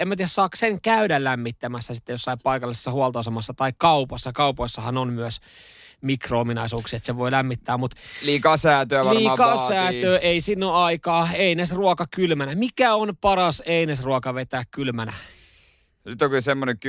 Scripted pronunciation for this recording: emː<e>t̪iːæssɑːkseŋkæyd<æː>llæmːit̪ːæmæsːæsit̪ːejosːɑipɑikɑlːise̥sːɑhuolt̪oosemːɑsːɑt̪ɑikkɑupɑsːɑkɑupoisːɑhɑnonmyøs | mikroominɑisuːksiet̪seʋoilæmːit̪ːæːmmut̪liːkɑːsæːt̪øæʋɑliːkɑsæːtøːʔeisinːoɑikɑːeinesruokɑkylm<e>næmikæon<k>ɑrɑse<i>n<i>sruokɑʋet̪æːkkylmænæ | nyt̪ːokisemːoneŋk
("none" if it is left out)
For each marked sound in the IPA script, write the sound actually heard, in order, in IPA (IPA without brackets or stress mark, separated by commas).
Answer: æ, æ, æ, p, i, e